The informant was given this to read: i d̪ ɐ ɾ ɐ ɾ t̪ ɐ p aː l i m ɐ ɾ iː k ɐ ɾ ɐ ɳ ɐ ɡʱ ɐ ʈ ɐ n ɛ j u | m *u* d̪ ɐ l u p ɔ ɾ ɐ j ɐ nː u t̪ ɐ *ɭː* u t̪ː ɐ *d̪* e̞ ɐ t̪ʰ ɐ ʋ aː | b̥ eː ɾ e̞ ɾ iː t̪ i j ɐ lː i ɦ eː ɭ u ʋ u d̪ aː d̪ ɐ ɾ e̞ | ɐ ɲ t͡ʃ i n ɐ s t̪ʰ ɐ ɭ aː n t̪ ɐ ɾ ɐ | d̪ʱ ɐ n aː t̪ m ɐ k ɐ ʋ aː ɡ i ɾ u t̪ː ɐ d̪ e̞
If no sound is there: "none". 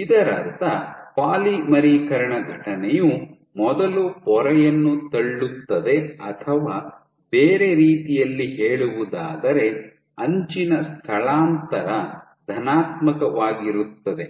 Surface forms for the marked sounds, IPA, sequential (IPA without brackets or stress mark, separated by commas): ɔ, ɭː, d̪